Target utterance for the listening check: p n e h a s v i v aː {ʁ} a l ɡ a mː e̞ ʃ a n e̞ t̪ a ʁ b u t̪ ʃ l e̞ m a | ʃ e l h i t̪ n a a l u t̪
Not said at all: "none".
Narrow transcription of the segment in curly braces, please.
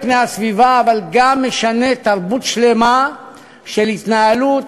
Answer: v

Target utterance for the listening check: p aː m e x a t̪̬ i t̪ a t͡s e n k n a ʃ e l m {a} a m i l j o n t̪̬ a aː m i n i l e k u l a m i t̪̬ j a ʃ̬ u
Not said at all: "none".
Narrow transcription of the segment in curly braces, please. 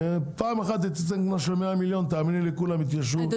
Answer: e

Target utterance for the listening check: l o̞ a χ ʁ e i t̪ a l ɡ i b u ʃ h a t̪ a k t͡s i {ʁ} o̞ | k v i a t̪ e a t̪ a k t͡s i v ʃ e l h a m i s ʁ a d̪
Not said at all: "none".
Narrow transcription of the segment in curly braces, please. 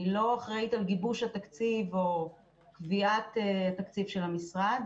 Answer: v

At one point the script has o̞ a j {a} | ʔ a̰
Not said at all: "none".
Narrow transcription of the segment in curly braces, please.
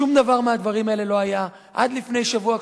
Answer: a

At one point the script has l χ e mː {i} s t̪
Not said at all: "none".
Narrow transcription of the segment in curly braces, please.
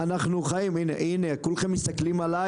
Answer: i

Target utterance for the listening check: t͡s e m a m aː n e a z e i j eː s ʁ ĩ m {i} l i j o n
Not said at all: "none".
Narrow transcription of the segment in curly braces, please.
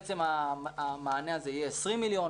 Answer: i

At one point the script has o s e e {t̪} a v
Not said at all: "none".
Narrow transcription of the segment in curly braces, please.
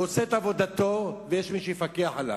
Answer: t̪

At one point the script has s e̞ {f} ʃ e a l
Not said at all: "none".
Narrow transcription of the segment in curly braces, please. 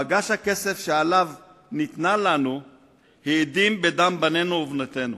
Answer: f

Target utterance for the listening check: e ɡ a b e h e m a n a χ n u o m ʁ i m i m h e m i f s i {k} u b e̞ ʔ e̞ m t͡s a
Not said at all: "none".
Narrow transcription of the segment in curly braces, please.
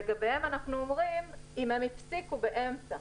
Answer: k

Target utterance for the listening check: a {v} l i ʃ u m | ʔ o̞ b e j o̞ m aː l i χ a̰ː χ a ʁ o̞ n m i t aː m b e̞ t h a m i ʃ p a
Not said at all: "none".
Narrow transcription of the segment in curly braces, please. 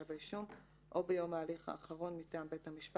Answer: v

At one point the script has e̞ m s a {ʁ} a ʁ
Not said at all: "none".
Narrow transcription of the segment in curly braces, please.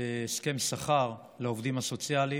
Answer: χ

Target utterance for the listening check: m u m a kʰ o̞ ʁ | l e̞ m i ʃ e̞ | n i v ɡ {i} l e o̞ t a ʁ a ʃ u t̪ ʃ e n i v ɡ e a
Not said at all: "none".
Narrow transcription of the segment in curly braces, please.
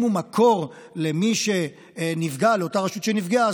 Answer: a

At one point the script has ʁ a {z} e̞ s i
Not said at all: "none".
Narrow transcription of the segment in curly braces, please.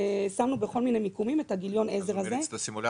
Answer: z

